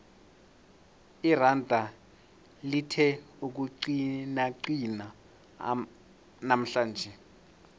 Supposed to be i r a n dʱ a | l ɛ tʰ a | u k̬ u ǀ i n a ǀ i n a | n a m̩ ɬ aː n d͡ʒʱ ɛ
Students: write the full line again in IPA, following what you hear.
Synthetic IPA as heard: i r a n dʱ a | l i tʰ ɛ | u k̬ u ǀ i n a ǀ i n a | n a m̩ ɬ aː n d͡ʒʱ ɛ

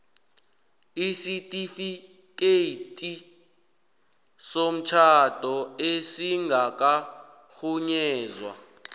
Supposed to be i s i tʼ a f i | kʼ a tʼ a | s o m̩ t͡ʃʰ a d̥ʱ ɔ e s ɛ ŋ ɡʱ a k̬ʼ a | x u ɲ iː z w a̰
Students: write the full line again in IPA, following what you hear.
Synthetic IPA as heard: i s i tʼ i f i | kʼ e tʼ i | s o m̩ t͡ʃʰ a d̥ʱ ɔ e s i ŋ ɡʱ a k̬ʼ a | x u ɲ ɛː z w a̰

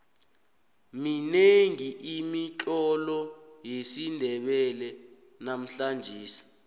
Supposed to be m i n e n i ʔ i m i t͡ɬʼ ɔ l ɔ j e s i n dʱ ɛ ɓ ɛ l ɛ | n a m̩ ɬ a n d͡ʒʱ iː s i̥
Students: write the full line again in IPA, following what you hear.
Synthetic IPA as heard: m i n e ŋ i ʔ i m i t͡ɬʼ ɔ l ɔ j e s i n dʱ ɛ ɓ ɛ l ɛ | n a m̩ ɬ a n d͡ʒʱ iː s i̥

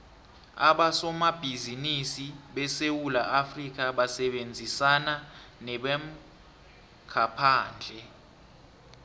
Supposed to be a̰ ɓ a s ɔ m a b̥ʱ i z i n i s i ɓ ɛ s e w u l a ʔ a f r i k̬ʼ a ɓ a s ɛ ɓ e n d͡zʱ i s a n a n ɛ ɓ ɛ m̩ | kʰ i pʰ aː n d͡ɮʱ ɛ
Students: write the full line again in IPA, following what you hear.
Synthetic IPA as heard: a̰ ɓ a s ɔ m a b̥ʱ i z i n i s i ɓ ɛ s e w u l a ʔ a f r i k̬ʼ a ɓ a s ɛ ɓ e n d͡zʱ i s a n a n ɛ ɓ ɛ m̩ | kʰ a pʰ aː n d͡ɮʱ ɛ

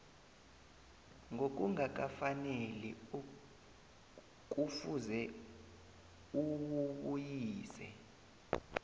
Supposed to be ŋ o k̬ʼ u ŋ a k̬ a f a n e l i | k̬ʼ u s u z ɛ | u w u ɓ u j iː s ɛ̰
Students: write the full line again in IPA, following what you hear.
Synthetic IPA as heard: ŋ o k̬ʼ u ŋ a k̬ a f a n e l i | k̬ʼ u f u z ɛ | u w u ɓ u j iː s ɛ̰

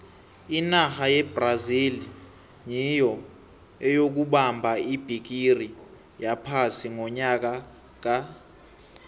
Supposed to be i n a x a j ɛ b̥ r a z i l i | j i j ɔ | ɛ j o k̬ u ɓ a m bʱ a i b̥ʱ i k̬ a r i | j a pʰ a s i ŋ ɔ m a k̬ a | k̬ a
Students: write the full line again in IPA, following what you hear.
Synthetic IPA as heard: i n a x a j ɛ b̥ r a z i l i | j i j ɔ | ɛ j o k̬ u ɓ a m bʱ a i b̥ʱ i k̬ i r i | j a pʰ a s i ŋ ɔ ɲ a k̬ a | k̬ a

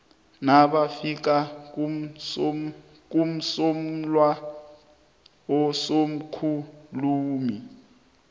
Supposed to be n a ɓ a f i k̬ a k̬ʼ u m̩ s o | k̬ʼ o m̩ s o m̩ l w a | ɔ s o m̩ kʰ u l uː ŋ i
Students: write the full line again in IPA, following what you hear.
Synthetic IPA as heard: n a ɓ a f i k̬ a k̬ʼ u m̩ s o | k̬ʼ u m̩ s o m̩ l w a | ɔ s o m̩ kʰ u l uː m i

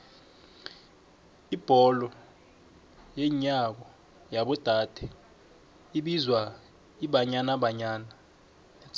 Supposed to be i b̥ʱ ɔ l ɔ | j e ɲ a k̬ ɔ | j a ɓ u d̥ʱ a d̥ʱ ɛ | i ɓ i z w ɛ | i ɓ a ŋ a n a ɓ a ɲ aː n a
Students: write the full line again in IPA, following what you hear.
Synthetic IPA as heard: i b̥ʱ ɔ l ɔ | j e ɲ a k̬ ɔ | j a ɓ ɔ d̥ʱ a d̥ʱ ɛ | i ɓ i z w a | i ɓ a ɲ a n a ɓ a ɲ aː n a

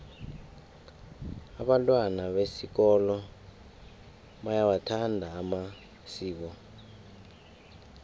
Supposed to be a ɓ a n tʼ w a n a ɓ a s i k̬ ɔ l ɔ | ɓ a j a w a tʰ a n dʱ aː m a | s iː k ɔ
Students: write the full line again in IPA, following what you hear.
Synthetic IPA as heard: a ɓ a n tʼ w a n a ɓ e s i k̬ ɔ l ɔ | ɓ a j a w a tʰ a n dʱ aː m a | s iː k ɔ

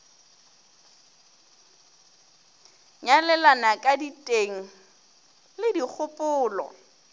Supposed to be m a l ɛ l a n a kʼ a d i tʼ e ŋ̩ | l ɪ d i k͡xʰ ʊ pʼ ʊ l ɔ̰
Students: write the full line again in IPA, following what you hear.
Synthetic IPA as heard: ɲ a l ɛ l a n a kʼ a d i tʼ e ŋ̩ | l ɪ d i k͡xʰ ʊ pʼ ʊː l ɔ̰

